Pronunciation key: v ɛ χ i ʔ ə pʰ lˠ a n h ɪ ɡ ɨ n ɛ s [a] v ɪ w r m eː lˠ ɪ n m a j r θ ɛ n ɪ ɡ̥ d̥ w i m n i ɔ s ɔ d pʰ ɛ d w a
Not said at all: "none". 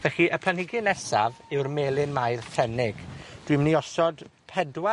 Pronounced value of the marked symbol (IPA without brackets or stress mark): a